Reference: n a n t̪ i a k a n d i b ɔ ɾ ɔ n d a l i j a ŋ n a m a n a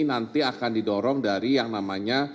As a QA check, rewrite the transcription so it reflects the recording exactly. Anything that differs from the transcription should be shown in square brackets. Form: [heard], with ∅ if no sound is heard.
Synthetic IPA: n a n t̪ i a k a n d i [d] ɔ ɾ ɔ [ŋ] d a [ɾ] i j a ŋ n a m a [ɲ] a